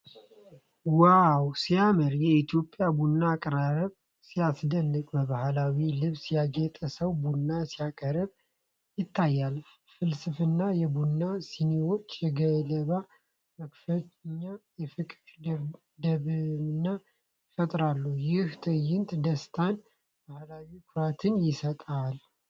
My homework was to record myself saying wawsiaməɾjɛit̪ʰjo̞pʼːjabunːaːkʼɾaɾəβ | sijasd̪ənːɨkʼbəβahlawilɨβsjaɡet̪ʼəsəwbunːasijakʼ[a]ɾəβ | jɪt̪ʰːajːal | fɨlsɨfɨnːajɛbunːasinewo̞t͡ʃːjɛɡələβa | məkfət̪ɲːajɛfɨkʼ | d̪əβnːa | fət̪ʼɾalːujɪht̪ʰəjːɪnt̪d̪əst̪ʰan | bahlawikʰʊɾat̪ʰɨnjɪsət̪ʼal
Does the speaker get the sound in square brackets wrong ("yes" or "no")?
yes